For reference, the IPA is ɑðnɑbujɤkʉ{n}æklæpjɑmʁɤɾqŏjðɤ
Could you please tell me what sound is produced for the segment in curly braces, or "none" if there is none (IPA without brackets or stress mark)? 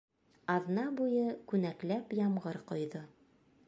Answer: n